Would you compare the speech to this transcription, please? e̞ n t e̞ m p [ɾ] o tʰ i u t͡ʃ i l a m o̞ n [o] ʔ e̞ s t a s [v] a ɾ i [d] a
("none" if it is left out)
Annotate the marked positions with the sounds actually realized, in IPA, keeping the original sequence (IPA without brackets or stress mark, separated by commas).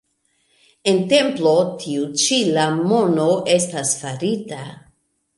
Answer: l, o, f, t